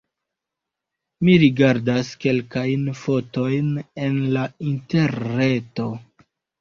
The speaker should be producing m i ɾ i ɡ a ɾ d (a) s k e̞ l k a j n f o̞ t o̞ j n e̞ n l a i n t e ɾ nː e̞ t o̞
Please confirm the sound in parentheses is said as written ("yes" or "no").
yes